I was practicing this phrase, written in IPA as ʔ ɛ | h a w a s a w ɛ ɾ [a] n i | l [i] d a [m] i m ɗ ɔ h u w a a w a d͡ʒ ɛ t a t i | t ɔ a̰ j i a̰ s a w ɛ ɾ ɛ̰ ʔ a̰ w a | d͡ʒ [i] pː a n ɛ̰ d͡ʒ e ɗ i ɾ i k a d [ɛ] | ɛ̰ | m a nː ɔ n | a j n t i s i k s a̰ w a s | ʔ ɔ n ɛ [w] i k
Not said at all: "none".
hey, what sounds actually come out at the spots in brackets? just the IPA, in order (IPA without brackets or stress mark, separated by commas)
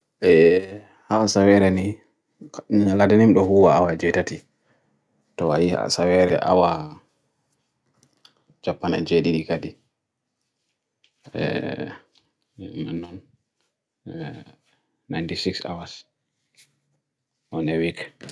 ɛ, a, n, a, i, w